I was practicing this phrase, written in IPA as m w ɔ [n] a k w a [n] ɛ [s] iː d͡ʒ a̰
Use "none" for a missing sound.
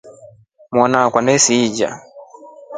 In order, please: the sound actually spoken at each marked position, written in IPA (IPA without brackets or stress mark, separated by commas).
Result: n, n, s